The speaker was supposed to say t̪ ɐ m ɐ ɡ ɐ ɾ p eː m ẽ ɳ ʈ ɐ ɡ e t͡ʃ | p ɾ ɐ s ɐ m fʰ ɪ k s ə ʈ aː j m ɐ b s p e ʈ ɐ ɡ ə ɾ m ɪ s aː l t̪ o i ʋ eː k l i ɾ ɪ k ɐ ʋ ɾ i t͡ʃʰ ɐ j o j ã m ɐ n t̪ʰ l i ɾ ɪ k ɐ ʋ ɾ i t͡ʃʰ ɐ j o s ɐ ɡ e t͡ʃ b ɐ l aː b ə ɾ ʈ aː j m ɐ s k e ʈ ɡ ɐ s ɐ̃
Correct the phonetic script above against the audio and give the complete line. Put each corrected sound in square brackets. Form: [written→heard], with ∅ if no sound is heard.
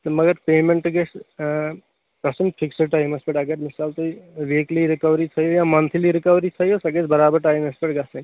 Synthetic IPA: t̪ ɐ m ɐ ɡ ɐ ɾ p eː m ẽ ɳ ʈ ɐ ɡ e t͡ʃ | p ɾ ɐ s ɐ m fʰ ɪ k s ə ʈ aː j m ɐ [b→∅] s p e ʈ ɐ ɡ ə ɾ m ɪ s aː l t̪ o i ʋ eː k l i ɾ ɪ k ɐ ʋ ɾ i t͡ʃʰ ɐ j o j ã m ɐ n t̪ʰ l i ɾ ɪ k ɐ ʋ ɾ i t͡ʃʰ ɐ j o s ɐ ɡ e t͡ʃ b ɐ [l→ɾ] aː b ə ɾ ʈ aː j m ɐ s [k→p] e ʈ ɡ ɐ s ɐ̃

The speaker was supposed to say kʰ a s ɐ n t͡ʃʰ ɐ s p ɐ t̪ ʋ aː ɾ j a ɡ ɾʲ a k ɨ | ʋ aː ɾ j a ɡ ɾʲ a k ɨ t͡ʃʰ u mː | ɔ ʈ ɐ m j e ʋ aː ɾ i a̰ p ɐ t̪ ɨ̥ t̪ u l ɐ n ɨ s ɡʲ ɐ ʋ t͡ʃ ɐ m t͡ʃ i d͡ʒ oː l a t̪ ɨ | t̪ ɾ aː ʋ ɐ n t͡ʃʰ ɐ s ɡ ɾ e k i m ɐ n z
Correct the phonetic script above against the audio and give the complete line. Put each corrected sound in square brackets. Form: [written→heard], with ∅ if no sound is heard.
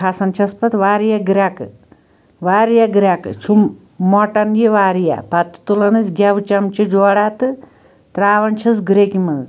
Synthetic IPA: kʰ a s ɐ n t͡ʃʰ ɐ s p ɐ t̪ ʋ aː ɾ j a ɡ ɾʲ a k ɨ | ʋ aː ɾ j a ɡ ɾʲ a k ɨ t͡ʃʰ u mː | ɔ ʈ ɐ [m→n] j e ʋ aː ɾ [i→j] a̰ p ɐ t̪ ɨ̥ t̪ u l ɐ n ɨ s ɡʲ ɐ ʋ t͡ʃ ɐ m t͡ʃ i d͡ʒ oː [l→ɽ] a t̪ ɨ | t̪ ɾ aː ʋ ɐ n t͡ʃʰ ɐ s ɡ ɾ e k i m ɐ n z

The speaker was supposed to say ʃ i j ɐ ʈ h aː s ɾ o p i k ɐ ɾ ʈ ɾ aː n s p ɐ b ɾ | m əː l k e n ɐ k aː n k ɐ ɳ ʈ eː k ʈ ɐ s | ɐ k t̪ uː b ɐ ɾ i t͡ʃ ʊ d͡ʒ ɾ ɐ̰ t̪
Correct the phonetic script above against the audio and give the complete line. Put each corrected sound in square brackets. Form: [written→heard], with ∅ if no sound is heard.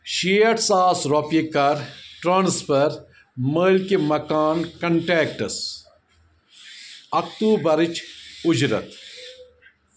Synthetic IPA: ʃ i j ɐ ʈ [h→s] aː s ɾ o p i k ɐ ɾ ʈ ɾ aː n s p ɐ [b→∅] ɾ | m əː l k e [n→m] ɐ k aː n k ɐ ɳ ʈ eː k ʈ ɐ s | ɐ k t̪ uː b ɐ ɾ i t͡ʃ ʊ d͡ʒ ɾ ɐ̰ t̪

